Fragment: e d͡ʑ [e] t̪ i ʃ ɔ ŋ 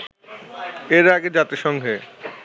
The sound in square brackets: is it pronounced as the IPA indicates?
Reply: no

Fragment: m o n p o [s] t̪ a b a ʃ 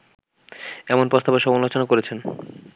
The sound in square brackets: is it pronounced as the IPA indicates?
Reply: yes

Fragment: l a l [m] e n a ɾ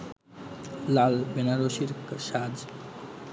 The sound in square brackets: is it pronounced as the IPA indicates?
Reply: no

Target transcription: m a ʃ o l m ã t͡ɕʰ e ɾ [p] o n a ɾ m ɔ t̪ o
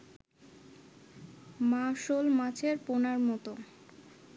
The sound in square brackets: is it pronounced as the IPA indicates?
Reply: yes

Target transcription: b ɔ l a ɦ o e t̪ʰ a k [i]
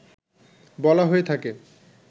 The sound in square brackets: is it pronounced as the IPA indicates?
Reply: no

